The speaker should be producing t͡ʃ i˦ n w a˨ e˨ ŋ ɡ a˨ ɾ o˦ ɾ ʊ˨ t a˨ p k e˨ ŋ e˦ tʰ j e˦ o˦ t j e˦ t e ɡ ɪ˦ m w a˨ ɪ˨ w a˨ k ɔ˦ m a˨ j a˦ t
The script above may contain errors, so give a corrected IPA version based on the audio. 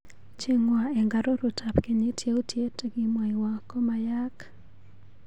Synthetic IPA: t͡ʃ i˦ ŋ w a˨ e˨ ŋ ɡ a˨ ɾ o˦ ɾ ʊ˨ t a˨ p k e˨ ɲ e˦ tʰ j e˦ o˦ t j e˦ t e ɡ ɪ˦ m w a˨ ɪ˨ w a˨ k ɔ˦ m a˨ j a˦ k